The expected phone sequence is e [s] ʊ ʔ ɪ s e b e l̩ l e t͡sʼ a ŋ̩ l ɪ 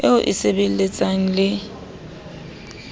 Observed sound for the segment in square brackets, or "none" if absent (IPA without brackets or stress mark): none